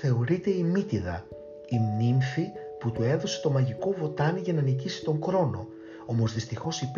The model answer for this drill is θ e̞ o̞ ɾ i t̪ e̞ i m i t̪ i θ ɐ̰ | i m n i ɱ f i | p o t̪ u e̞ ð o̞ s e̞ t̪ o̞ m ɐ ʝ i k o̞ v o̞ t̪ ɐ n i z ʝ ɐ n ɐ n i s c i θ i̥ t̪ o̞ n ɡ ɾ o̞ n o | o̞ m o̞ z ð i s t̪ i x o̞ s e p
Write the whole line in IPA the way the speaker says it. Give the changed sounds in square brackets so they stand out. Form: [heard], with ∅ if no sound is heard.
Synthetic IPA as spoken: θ e̞ o̞ ɾ i t̪ e̞ i m i t̪ i [ð] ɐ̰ | i m n i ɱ f i | p [u] t̪ u e̞ ð o̞ s e̞ t̪ o̞ m ɐ ʝ i k o̞ v o̞ t̪ ɐ n i [∅] ʝ ɐ n ɐ n i [∅] c i [s] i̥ t̪ o̞ [ŋ] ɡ ɾ o̞ n o | o̞ m o̞ z ð i s t̪ i x o̞ s [i] p